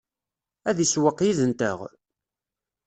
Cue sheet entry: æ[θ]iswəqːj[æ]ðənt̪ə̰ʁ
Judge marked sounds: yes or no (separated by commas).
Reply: no, no